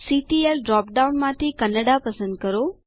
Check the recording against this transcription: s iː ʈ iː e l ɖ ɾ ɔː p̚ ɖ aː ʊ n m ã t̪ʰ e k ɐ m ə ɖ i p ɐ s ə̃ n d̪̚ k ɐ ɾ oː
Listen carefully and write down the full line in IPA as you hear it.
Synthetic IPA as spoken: s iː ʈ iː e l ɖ ɾ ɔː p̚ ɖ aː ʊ n m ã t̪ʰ i k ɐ n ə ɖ a p ɐ s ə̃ n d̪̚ k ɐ ɾ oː

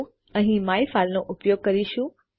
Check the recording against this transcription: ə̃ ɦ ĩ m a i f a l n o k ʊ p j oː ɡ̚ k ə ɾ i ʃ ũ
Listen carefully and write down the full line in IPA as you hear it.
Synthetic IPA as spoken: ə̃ ɦ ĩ m a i f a l n o ʔ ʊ p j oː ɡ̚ k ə ɾ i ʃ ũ

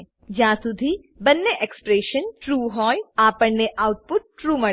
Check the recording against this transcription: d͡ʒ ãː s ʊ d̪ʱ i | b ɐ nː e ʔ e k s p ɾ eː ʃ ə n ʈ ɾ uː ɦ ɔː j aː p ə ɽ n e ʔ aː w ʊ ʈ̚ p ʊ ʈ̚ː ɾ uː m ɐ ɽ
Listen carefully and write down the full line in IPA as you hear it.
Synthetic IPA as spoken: d͡ʒ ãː s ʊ d̪ʱ i | b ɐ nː e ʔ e k s p ɾ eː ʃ ə n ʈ ɾ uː ɦ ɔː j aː p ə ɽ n e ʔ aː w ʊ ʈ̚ p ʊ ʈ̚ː ɾ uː m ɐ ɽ

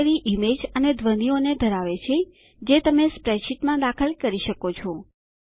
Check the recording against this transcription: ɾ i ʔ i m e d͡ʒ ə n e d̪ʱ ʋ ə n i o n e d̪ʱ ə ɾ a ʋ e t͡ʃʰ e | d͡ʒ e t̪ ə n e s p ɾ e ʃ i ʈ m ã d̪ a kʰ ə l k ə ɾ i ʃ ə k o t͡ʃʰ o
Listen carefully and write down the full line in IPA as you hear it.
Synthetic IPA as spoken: ɾ i ʔ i m e d͡ʒ ə n e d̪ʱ ʋ ə n i o n e d̪ʱ ə ɾ a ʋ e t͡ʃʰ e | d͡ʒ e t̪ ə m e s p ɾ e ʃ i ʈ m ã d̪ a kʰ ə l k ə ɾ i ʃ ə k o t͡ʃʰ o

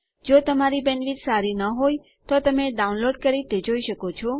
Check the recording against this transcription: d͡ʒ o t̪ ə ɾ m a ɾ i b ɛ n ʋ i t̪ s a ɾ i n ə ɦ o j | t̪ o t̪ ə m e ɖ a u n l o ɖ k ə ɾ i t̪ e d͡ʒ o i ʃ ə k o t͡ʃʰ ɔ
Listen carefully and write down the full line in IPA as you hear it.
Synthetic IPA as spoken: d͡ʒ o t̪ ə m a ɾ i b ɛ n ʋ i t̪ s a ɾ i n ə ɦ o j | t̪ o t̪ ə m e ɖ a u n l o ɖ k ə ɾ i t̪ e d͡ʒ o i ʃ ə k o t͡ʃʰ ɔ

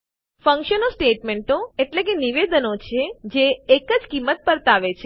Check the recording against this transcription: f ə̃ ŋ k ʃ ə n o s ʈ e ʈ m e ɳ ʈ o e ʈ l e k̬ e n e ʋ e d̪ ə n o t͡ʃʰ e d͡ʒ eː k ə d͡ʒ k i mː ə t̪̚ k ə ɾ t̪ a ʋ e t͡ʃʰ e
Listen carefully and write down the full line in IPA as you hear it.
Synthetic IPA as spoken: f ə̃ ŋ k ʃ ə n o s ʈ e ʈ m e ɳ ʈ o e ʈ l e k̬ e n i ʋ e d̪ ə n o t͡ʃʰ e d͡ʒ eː k ə d͡ʒ k i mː ə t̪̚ p ə ɾ t̪ a ʋ e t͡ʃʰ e

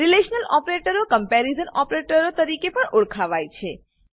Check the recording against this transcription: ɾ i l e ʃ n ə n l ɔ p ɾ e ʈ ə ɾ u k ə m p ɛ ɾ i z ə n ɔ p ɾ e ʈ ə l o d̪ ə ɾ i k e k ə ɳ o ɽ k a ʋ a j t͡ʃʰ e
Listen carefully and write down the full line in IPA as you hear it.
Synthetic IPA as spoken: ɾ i l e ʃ n ə l ɔ p ɾ e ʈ ə ɾ o k ə m p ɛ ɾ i z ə n ɔ p ɾ e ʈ ə ɾ o t̪ ə ɾ i k e p ə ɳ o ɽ kʰ a ʋ a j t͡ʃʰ e

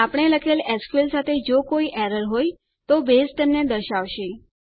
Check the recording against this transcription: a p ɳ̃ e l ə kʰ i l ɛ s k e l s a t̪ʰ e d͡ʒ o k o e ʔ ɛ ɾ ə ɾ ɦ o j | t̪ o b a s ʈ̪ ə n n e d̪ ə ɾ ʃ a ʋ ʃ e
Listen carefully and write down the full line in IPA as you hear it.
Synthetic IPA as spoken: a p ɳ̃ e l ə kʰ e l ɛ s k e l s a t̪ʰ e d͡ʒ o k o i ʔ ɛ ɾ ə ɾ ɦ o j | t̪ o b e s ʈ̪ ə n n e d̪ ə ɾ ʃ a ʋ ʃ e

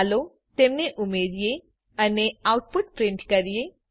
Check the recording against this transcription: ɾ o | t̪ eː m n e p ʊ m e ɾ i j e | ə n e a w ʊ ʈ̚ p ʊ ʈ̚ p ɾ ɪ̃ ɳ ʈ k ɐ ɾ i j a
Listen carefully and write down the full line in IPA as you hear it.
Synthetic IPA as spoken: l o | t̪ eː m n e ʔ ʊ m e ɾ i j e | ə n e a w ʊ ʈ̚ p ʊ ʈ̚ p ɾ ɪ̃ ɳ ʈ k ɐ ɾ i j e

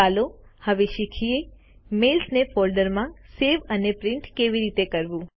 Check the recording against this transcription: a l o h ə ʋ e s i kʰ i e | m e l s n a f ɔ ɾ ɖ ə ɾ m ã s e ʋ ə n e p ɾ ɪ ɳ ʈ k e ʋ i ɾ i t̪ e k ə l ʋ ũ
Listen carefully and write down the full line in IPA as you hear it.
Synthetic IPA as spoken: a l o h ə ʋ e ʃ i kʰ i e | m e l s n e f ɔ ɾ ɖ ə ɾ m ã s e ʋ ə n e p ɾ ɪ ɳ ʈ k e ʋ i ɾ i t̪ e k ə ɾ ʋ ũ

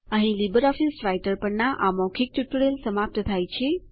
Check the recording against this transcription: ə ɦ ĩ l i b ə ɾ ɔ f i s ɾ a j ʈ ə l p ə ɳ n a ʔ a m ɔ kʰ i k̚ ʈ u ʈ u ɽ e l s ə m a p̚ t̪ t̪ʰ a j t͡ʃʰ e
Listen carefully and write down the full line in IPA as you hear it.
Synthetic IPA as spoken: ə ɦ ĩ l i b ə ɾ ɔ f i s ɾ a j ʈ ə ɾ p ə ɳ n a ʔ a m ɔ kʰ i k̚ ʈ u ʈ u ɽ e l s ə m a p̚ t̪ t̪ʰ a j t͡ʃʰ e

